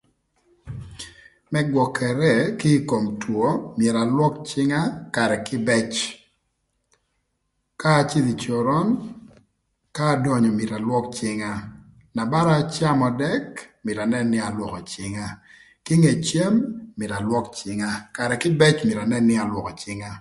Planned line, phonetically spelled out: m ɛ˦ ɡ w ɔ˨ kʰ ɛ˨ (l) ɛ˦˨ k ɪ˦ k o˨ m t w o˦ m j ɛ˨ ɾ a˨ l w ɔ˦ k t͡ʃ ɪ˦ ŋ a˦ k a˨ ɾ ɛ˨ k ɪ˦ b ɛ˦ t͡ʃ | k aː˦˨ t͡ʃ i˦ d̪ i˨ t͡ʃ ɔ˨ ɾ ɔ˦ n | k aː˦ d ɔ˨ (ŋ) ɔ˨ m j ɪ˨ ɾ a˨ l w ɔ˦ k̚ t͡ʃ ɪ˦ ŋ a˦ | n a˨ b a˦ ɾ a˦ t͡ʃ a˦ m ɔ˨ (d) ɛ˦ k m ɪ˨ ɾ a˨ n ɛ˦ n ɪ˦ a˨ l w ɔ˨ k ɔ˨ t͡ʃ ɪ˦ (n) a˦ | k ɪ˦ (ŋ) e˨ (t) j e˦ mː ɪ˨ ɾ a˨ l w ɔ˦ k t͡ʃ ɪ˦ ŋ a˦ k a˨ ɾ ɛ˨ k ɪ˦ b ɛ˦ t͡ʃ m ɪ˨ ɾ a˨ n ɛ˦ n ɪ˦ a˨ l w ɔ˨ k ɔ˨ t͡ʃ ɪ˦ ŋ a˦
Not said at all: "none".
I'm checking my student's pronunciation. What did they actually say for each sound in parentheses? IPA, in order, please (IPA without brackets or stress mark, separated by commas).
ɾ, ɲ, d, ŋ, ŋ, t͡ʃ